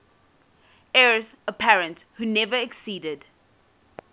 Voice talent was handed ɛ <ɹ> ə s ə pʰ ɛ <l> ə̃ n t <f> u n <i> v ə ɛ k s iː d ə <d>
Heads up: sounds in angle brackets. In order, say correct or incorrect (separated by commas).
correct, incorrect, incorrect, incorrect, correct